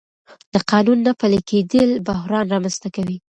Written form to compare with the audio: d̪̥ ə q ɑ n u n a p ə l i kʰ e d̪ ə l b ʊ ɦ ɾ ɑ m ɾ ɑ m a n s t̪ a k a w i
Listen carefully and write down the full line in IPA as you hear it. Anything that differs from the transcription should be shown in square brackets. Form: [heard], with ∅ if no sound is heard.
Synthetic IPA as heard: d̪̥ ə q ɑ n u [nː] a p ə l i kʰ e d̪ ə l b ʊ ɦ ɾ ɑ [n] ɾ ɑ m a n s t̪ a k a w i